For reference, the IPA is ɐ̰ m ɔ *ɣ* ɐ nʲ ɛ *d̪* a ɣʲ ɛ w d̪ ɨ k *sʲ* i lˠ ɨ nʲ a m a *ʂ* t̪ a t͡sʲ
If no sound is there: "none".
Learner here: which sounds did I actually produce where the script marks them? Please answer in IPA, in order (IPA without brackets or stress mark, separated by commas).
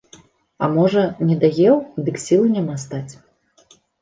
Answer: ʐ, d̪, sʲ, s